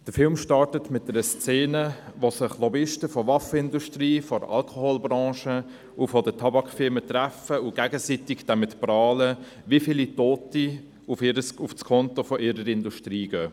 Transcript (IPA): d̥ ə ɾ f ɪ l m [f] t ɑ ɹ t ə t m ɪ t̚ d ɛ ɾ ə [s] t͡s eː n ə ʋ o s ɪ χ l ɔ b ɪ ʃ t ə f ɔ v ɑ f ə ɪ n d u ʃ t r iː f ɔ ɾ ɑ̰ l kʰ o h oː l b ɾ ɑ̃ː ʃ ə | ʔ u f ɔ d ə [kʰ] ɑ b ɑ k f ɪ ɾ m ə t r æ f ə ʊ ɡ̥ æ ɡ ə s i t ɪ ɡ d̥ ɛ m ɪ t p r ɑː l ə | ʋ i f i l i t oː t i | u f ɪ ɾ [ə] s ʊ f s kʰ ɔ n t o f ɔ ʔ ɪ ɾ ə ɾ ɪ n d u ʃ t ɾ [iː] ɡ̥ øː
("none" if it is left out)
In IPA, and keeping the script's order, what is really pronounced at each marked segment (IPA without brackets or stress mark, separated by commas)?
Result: ʃ, s, tʰ, ə, iː